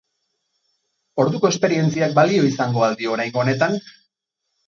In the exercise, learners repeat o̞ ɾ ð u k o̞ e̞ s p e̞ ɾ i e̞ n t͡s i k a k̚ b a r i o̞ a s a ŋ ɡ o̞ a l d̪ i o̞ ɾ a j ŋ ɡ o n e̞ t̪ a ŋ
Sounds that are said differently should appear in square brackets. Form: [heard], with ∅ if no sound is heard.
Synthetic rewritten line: o̞ ɾ ð u k o̞ e̞ s p e̞ ɾ i e̞ n t͡s i [∅] a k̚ b a [l] i o̞ [i] s a ŋ ɡ o̞ a l d̪ i o̞ ɾ a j ŋ ɡ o n e̞ t̪ a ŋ